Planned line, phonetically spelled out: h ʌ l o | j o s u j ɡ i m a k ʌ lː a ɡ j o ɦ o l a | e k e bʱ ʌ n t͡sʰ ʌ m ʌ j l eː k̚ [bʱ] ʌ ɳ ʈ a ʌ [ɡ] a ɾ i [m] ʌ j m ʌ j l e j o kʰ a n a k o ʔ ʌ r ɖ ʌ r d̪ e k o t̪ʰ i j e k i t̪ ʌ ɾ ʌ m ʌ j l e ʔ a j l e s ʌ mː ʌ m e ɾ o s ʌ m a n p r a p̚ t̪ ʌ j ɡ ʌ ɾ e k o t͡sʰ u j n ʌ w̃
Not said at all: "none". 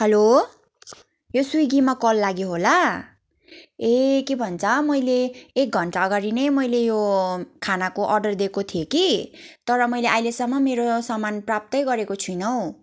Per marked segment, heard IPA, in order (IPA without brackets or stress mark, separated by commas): ɡʱ, ɡ, n